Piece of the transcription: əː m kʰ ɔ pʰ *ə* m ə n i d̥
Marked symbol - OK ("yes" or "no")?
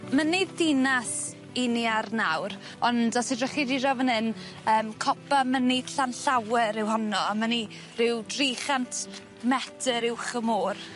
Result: no